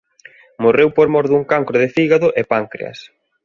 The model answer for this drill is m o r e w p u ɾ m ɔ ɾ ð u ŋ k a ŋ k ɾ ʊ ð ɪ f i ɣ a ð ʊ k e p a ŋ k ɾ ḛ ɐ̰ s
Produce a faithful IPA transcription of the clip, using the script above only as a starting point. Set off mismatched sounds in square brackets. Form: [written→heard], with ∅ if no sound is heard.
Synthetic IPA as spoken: m o r e w p [u→o] ɾ m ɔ ɾ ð u ŋ k a ŋ k ɾ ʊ ð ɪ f i ɣ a ð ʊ [k→ʔ] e p a ŋ k ɾ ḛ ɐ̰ s